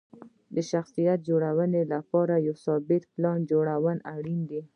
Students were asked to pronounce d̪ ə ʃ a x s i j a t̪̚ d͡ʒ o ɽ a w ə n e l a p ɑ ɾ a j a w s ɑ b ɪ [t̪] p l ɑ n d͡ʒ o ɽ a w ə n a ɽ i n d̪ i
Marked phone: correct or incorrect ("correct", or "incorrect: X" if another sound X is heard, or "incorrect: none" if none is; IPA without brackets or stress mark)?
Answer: correct